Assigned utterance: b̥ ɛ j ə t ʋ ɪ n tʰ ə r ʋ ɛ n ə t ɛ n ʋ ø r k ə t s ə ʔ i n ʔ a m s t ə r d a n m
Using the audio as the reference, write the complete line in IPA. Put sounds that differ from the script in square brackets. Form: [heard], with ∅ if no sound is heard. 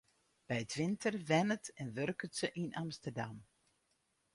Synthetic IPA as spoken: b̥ ɛ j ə t ʋ ɪ n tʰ ə r ʋ ɛ n ə t ɛ n ʋ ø r k ə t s ə ʔ i n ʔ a m s t ə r d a [∅] m